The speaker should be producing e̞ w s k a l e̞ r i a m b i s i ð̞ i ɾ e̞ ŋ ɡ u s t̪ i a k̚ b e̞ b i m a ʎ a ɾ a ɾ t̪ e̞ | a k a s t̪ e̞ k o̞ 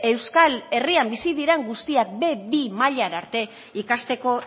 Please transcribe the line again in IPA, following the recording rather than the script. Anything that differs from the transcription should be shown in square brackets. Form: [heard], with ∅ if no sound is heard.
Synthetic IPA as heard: e̞ w s k a l e̞ r i a m b i s i ð̞ i ɾ e̞ ŋ ɡ u s t̪ i a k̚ b e̞ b i m a ʎ a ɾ a ɾ t̪ e̞ | [i] k a s t̪ e̞ k o̞